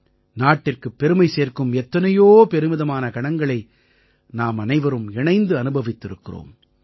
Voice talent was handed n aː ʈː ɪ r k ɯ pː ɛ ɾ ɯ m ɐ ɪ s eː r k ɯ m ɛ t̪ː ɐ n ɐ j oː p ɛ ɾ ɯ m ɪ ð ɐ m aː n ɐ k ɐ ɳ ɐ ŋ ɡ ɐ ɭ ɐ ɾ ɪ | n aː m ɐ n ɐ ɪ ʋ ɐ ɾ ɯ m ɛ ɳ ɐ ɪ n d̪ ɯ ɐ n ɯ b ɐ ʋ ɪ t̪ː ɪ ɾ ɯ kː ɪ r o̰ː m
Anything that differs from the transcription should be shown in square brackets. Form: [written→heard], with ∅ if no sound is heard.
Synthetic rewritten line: n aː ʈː ɪ r k ɯ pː ɛ ɾ ɯ m ɐ ɪ s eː r k ɯ m ɛ t̪ː ɐ n ɐ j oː p ɛ ɾ ɯ m ɪ ð ɐ m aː n ɐ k ɐ ɳ ɐ ŋ ɡ ɐ ɭ ɐ [ɾ→∅] ɪ | n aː m ɐ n ɐ ɪ ʋ ɐ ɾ ɯ m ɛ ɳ ɐ ɪ n d̪ ɯ ɐ n ɯ b ɐ ʋ ɪ t̪ː ɪ ɾ ɯ kː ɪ r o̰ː m